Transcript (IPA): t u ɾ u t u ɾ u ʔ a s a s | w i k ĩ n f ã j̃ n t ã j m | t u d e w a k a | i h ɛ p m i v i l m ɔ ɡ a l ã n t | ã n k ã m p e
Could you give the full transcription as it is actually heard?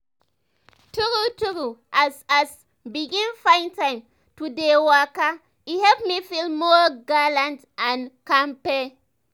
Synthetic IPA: t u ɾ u t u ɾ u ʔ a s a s | b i ɡ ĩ n f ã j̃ n t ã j m | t u d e w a k a | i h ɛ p m i f i l m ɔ ɡ a l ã n t | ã n k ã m p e